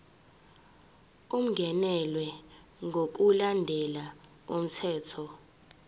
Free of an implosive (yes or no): yes